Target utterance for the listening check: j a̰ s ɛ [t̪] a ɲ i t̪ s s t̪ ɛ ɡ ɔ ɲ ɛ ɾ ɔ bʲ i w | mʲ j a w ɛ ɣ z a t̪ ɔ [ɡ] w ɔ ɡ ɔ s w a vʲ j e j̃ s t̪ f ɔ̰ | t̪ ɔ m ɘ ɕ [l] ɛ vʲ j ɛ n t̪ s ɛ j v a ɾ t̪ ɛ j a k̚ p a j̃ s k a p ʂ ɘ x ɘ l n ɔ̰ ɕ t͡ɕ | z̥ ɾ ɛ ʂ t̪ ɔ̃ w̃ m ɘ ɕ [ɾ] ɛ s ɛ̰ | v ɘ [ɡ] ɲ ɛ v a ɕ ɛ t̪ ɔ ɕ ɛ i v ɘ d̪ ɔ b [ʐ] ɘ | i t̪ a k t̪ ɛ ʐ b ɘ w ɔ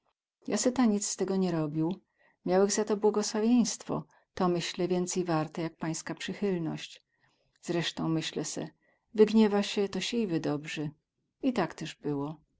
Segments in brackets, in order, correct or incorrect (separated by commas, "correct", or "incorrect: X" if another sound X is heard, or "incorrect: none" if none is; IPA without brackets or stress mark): correct, incorrect: b, correct, incorrect: l, correct, correct